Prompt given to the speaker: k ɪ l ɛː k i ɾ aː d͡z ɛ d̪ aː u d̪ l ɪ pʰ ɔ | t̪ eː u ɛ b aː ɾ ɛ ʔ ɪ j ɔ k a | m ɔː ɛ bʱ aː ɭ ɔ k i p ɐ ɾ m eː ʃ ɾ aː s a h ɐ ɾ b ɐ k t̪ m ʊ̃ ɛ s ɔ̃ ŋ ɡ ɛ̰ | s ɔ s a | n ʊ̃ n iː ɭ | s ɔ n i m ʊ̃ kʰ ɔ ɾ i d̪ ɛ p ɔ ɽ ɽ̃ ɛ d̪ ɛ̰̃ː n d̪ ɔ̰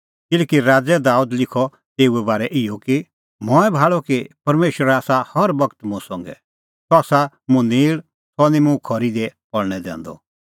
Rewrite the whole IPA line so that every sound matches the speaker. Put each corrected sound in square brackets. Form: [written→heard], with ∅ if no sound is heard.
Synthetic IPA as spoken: k ɪ l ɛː k i ɾ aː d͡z ɛ d̪ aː u d̪ l ɪ [pʰ→kʰ] ɔ | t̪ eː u ɛ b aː ɾ ɛ ʔ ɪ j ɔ k [a→i] | m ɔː ɛ bʱ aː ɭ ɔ k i p ɐ ɾ m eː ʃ ɾ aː s a h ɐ ɾ b ɐ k t̪ m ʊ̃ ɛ s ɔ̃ ŋ ɡ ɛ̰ | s ɔ s a | [n→m] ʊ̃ n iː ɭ | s ɔ n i m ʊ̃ kʰ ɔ ɾ i d̪ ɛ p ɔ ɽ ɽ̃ ɛ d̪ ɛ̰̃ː n d̪ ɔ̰